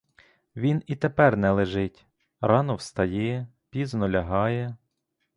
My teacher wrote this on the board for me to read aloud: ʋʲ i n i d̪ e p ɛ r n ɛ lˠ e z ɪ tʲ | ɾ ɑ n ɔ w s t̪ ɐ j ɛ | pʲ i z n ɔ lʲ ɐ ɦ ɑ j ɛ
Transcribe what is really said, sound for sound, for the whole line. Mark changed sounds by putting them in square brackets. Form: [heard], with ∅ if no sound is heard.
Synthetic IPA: ʋʲ i n i [t̪] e p ɛ r n ɛ lˠ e [ʒ] ɪ tʲ | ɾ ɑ n ɔ w s t̪ ɐ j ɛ | pʲ i z n ɔ lʲ ɐ ɦ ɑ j ɛ